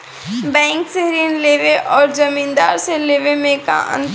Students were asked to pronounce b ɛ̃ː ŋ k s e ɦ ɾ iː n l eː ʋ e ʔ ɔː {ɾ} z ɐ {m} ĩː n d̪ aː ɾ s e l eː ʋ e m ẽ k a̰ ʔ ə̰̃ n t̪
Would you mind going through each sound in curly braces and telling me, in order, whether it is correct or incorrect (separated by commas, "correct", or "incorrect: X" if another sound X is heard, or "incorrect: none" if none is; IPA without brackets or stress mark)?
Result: correct, correct